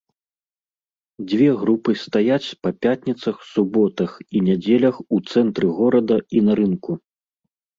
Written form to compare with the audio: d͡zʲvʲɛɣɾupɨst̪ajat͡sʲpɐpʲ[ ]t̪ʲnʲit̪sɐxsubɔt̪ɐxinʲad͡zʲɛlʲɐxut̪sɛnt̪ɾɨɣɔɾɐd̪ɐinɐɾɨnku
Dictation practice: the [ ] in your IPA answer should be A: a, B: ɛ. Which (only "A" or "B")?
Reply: A